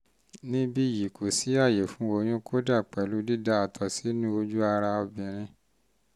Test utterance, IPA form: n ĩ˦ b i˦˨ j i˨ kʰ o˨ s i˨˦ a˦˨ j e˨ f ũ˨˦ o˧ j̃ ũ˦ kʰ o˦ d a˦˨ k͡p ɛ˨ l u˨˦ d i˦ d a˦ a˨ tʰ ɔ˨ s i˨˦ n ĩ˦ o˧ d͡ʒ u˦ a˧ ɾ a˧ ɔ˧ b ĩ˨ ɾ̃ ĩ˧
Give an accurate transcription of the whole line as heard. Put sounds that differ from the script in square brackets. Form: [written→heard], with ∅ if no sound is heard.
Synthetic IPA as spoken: n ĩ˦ b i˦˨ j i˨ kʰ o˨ s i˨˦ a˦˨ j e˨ f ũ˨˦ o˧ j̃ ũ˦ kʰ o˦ d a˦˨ k͡p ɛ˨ l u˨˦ d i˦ d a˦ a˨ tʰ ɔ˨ s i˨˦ n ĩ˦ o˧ d͡ʒ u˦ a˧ ɾ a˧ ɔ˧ b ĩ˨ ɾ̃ ĩ˧

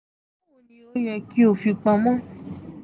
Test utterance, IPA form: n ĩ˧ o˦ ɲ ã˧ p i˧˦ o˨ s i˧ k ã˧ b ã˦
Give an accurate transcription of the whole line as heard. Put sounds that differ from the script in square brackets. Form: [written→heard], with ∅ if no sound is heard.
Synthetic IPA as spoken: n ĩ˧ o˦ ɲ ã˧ [p→k] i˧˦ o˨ [s→f] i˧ [k→k͡p] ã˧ [b→m] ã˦

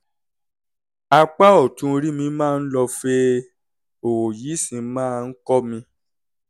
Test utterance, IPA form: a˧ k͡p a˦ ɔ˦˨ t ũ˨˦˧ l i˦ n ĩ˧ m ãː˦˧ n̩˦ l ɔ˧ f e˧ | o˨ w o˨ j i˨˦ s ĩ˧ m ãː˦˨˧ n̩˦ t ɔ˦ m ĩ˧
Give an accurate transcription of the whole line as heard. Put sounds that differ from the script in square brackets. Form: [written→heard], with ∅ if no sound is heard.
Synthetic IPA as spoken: a˧ k͡p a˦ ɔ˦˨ t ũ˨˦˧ [l→ɾ] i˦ [n→m] ĩ˧ m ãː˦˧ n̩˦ l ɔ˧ f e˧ | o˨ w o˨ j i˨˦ s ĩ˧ m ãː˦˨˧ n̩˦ [t→k] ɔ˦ m ĩ˧

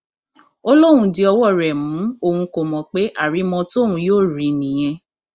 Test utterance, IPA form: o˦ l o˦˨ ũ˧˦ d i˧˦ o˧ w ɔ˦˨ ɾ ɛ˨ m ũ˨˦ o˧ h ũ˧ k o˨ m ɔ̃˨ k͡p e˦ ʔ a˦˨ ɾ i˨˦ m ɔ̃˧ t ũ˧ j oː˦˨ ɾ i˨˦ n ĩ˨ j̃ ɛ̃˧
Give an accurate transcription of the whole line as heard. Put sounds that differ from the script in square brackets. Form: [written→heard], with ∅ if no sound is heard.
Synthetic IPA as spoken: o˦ l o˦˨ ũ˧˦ d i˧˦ [o˧→ɔ˧] w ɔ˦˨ ɾ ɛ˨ m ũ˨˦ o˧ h ũ˧ k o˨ m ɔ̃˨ k͡p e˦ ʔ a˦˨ ɾ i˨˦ m ɔ̃˧ t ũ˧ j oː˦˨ ɾ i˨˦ n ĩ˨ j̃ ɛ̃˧

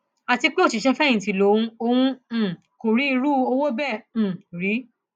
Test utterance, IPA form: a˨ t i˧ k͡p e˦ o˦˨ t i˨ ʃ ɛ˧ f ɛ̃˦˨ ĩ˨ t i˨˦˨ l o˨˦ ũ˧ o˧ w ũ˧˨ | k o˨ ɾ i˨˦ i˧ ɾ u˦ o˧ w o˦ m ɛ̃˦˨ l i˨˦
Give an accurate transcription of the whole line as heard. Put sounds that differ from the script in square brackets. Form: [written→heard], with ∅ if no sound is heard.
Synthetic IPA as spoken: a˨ t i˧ k͡p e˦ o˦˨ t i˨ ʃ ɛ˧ f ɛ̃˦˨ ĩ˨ t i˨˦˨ l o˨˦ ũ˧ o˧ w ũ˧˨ | k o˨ ɾ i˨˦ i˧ ɾ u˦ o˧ w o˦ [m→b] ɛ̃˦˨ [l→ɾ] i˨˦

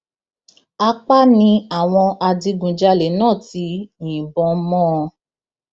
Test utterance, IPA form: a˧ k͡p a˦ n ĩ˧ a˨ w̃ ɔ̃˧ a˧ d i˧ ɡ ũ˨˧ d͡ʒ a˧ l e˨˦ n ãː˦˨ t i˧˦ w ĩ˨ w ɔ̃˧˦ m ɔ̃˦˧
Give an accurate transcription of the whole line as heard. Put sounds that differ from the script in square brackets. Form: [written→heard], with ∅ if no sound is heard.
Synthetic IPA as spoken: a˧ k͡p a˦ n ĩ˧ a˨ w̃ ɔ̃˧ a˧ d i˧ ɡ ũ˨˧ d͡ʒ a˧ l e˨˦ n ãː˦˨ t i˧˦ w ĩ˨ [w→b] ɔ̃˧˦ m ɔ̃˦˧

